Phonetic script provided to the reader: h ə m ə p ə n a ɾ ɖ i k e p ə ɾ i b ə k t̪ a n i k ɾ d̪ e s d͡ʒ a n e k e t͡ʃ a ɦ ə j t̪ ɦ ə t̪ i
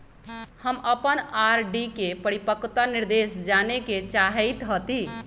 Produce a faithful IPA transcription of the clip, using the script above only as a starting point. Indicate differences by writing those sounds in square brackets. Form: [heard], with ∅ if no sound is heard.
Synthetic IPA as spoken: h ə m ə p ə n a ɾ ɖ i k e p ə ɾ i [p] ə k t̪ a n i [∅] ɾ d̪ e s d͡ʒ a n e k e t͡ʃ a ɦ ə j t̪ ɦ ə t̪ i